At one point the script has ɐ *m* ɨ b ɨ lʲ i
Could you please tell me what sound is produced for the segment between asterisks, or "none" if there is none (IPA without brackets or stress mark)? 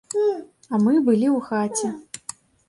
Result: m